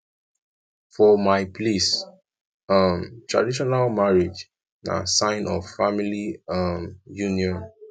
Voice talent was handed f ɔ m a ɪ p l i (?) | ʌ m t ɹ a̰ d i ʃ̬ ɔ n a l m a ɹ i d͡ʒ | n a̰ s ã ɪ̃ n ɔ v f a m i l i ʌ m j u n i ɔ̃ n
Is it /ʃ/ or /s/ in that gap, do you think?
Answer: s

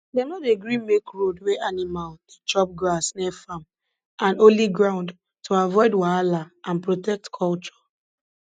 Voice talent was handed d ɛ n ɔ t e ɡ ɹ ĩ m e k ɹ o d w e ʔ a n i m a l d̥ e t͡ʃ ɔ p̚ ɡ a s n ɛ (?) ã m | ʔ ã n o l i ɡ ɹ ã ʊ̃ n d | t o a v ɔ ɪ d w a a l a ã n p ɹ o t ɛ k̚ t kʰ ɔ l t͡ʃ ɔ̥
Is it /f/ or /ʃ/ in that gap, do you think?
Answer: f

